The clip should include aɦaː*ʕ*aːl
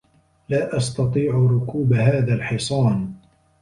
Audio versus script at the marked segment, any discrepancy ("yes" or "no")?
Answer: yes